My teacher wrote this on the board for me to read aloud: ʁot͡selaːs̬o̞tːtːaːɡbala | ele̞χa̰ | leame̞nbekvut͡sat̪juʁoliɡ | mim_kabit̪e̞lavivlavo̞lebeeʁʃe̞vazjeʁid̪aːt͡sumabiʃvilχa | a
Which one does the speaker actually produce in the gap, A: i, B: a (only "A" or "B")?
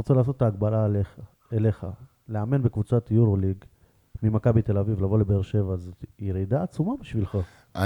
B